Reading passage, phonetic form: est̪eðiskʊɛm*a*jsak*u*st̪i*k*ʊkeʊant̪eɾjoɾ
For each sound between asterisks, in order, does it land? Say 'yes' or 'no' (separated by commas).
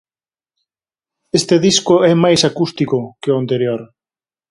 yes, yes, yes